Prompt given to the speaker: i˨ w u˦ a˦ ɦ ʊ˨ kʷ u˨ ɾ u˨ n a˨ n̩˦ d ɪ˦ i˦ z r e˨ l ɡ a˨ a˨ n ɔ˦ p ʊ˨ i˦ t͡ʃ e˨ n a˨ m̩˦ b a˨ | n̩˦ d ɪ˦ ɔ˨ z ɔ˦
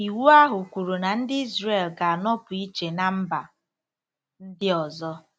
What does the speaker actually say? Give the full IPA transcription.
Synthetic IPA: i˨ w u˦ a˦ ɦ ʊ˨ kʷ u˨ ɾ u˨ n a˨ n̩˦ d ɪ˦ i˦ z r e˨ l ɡ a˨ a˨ n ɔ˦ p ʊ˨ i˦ t͡ʃ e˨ n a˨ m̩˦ b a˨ | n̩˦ d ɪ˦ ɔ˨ z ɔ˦